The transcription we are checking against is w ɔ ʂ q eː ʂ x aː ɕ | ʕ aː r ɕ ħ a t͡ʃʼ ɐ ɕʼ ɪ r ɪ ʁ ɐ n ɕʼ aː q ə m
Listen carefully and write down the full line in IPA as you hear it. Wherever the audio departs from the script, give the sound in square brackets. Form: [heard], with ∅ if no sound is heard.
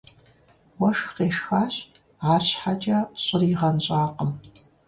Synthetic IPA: w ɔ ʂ q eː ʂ x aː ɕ | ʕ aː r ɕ ħ a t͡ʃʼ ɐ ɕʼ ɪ r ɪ ʁ ɐ n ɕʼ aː q ə m